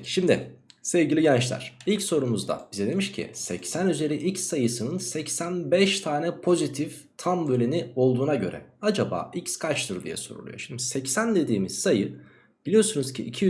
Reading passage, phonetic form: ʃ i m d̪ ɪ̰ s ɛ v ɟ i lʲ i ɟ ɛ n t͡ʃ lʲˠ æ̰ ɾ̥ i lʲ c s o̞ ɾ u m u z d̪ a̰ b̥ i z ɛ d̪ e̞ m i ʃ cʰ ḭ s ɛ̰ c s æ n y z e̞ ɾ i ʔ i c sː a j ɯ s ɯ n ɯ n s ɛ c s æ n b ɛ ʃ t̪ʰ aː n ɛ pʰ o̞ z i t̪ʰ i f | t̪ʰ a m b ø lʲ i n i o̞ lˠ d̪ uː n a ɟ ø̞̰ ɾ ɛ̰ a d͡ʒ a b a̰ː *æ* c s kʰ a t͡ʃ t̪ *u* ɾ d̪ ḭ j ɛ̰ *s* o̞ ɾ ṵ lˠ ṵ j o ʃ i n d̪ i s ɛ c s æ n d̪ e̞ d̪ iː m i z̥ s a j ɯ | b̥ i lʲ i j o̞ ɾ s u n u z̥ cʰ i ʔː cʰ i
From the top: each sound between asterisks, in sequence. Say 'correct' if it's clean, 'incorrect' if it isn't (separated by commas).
incorrect, incorrect, correct